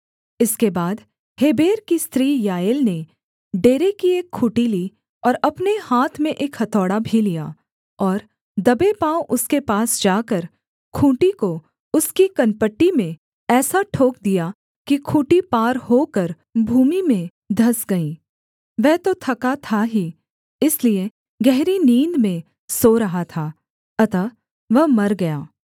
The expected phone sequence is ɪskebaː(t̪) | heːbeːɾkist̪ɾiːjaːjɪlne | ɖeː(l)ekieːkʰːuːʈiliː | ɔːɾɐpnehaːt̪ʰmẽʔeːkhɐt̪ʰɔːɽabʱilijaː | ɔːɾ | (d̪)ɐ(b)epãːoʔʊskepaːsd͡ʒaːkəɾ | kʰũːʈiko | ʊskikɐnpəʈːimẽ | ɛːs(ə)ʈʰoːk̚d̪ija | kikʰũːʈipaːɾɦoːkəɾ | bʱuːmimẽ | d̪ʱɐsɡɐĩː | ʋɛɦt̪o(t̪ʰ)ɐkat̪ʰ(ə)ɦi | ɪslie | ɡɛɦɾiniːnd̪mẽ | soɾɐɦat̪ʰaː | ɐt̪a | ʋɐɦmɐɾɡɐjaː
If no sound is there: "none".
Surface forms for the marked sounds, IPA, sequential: d̪, ɾ, d̪, b, a, t̪ʰ, a

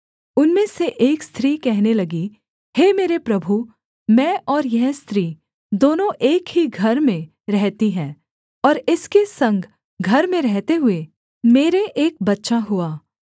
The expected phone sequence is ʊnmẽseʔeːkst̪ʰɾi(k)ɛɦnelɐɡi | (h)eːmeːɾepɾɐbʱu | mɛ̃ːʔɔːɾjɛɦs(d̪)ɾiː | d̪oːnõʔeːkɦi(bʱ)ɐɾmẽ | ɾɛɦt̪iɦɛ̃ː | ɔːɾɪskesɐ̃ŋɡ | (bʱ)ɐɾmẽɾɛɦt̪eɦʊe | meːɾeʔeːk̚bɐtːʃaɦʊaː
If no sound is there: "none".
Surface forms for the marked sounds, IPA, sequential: k, h, t̪, ɡʱ, ɡʱ

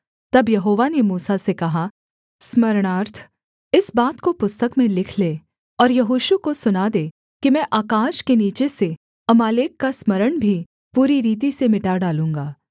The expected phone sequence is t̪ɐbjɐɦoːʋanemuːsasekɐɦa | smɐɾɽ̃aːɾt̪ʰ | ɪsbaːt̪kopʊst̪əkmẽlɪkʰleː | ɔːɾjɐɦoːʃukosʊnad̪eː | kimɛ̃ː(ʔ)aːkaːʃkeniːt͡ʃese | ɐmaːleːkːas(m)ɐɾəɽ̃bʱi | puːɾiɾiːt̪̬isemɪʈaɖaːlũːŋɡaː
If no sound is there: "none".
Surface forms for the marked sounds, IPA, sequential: ʔ, m

